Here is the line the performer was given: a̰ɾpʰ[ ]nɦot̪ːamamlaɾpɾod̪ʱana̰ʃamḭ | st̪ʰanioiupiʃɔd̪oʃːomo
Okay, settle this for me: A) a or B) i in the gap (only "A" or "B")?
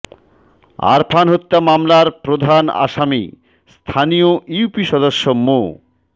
A